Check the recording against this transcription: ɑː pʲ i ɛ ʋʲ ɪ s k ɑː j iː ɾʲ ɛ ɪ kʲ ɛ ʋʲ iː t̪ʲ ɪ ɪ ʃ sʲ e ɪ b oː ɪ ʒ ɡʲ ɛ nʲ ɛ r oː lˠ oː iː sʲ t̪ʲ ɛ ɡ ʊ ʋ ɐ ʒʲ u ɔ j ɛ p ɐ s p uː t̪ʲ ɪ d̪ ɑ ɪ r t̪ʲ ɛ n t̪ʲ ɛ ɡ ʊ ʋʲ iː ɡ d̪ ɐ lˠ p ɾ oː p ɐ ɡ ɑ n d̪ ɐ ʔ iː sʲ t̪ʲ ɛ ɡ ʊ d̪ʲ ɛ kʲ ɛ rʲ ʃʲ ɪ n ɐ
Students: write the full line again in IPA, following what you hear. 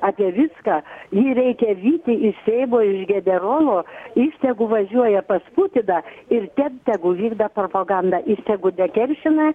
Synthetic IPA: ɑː pʲ i ɛ ʋʲ ɪ s k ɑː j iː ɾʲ ɛ ɪ kʲ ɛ ʋʲ iː t̪ʲ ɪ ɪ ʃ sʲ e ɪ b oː ɪ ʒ ɡʲ ɛ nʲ ɛ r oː lˠ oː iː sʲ t̪ʲ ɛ ɡ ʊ ʋ ɐ ʒʲ u ɔ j ɛ p ɐ s p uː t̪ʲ ɪ d̪ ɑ ɪ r t̪ʲ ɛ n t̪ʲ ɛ ɡ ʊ ʋʲ iː ɡ d̪ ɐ p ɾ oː p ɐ ɡ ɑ n d̪ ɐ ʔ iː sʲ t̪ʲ ɛ ɡ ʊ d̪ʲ ɛ kʲ ɛ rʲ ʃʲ ɪ n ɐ

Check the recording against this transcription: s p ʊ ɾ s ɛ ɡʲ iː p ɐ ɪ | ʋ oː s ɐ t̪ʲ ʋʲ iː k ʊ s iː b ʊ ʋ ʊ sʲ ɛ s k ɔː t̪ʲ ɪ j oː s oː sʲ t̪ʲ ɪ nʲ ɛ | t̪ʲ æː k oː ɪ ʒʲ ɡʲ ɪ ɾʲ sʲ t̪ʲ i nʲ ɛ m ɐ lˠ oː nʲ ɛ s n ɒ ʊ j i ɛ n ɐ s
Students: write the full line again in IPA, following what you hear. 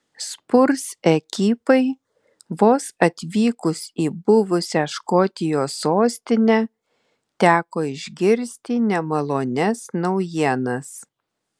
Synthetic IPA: s p ʊ ɾ s ɛ kʲ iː p ɐ ɪ | ʋ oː s ɐ t̪ʲ ʋʲ iː k ʊ s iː b ʊ ʋ ʊ sʲ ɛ ʃ k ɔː t̪ʲ ɪ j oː s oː sʲ t̪ʲ ɪ nʲ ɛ | t̪ʲ æː k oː ɪ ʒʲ ɡʲ ɪ ɾʲ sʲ t̪ʲ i nʲ ɛ m ɐ lˠ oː nʲ ɛ s n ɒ ʊ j i ɛ n ɐ s

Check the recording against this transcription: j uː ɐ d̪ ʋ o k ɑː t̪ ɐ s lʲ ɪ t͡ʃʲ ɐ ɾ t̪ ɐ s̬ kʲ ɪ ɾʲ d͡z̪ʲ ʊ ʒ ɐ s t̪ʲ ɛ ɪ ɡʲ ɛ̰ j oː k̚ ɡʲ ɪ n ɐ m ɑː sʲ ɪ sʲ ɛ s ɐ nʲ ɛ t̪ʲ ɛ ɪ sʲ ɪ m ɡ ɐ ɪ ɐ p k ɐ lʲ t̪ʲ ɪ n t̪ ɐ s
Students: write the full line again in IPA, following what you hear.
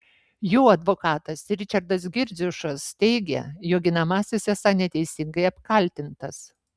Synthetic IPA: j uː ɐ d̪ ʋ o k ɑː t̪ ɐ s ɾʲ ɪ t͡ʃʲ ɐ ɾ d̪ ɐ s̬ ɡʲ ɪ ɾʲ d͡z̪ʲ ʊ ʃ ɐ s t̪ʲ ɛ ɪ ɡʲ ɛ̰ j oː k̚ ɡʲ ɪ n ɐ m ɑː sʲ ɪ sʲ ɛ s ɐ nʲ ɛ t̪ʲ ɛ ɪ sʲ ɪ ŋ ɡ ɐ ɪ ɐ p k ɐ lʲ t̪ʲ ɪ n t̪ ɐ s

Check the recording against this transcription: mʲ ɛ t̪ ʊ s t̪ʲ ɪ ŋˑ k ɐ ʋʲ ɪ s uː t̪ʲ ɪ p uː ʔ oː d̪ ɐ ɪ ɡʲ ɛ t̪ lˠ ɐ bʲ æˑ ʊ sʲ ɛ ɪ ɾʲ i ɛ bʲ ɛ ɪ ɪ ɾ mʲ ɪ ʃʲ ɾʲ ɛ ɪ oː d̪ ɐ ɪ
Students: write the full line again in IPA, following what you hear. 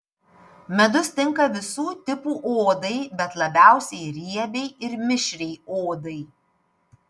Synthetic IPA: mʲ ɛ d̪ ʊ s t̪ʲ ɪ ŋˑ k ɐ ʋʲ ɪ s uː t̪ʲ ɪ p uː ʔ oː d̪ ɐ ɪ bʲ ɛ t̪ lˠ ɐ bʲ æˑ ʊ sʲ ɛ ɪ ɾʲ i ɛ bʲ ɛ ɪ ɪ ɾ mʲ ɪ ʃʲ ɾʲ ɛ ɪ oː d̪ ɐ ɪ

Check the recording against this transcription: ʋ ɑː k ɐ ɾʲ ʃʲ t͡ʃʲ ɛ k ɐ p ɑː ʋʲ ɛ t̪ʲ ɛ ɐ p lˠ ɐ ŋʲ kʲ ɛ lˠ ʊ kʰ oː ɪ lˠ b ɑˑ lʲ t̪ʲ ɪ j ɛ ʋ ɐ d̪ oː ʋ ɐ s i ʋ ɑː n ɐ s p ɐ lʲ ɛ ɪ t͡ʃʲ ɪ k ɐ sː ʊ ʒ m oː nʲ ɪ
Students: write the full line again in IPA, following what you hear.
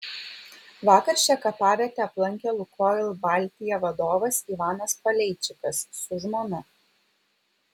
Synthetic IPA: ʋ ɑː k ɐ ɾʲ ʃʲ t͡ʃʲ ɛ k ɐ p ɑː ʋʲ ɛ t̪ʲ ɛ ɐ p lˠ ɐ ŋʲ kʲ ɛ lˠ ʊ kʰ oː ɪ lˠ b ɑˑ lʲ t̪ʲ ɪ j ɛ ʋ ɐ d̪ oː ʋ ɐ s i ʋ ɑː n ɐ s p ɐ lʲ ɛ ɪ t͡ʃʲ ɪ k ɐ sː ʊ ʒ m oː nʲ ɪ

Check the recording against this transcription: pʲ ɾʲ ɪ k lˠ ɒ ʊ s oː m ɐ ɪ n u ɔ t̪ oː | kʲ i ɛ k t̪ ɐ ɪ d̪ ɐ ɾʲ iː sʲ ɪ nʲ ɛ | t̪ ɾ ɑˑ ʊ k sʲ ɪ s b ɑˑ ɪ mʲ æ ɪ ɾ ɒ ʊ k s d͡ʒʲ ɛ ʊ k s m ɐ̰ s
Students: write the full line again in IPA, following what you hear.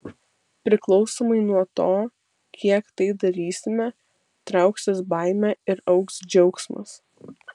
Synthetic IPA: pʲ ɾʲ ɪ k lˠ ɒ ʊ s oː m ɐ ɪ n u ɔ t̪ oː | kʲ i ɛ k t̪ ɐ ɪ d̪ ɐ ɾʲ iː sʲ ɪ mʲ ɛ | t̪ ɾ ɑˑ ʊ k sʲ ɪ s b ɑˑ ɪ mʲ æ ɪ ɾ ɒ ʊ k s d͡ʒʲ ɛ ʊ k s m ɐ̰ s

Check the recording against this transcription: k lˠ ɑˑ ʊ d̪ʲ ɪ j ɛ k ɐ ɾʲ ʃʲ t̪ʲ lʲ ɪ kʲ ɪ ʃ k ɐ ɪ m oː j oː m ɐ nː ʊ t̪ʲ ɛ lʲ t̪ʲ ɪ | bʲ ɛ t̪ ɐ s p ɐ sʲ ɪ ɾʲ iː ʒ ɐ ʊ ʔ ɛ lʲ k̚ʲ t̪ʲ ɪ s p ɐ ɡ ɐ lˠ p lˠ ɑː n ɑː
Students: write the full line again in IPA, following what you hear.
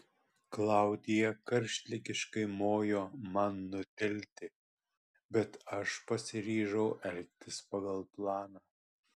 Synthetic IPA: k lˠ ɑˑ ʊ d̪ʲ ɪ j ɛ k ɐ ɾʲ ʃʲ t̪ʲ lʲ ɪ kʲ ɪ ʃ k ɐ ɪ m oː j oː m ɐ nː ʊ t̪ʲ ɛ lʲ t̪ʲ ɪ | bʲ ɛ t̪ ɐ ʃ p ɐ sʲ ɪ ɾʲ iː ʒ ɐ ʊ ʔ ɛ lʲ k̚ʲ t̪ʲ ɪ s p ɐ ɡ ɐ lˠ p lˠ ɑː n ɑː

